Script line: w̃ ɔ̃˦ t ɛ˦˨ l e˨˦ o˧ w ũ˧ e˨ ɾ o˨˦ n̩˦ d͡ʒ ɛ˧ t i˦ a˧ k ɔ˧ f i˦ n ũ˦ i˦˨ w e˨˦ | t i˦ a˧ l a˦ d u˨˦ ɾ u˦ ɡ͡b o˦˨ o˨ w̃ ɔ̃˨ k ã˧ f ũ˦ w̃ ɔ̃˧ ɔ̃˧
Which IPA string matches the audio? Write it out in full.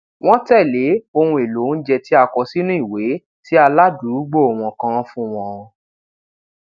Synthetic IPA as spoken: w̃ ɔ̃˦ t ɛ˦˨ l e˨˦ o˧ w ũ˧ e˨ l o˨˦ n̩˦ d͡ʒ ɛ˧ t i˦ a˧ k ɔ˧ s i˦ n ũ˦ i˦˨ w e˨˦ | t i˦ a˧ l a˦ d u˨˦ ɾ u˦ ɡ͡b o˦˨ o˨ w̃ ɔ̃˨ k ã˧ f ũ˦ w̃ ɔ̃˧ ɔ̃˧